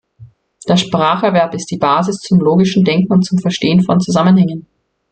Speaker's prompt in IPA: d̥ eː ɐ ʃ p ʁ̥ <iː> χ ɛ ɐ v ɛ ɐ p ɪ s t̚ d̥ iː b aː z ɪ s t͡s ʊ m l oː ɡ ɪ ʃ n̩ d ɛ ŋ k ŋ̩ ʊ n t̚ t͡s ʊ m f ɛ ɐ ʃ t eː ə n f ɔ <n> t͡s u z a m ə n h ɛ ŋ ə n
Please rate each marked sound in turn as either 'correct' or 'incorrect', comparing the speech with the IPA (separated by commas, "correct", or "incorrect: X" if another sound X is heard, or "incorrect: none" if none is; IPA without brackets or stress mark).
incorrect: aː, correct